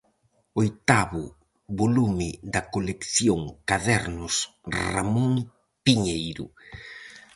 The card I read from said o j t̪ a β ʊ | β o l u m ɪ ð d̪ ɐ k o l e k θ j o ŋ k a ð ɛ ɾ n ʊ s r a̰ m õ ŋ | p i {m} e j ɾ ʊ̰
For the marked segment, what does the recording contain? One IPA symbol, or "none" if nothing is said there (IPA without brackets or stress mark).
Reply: ɲ